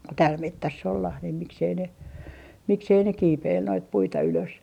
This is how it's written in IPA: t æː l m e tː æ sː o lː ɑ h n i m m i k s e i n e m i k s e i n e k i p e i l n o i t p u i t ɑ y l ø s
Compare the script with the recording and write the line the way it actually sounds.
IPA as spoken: t æː l m e tː æ sː o lː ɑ h n i m m i k s e i n e m i k s e i n e k iː p e i l n o i t p u i t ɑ y l ø s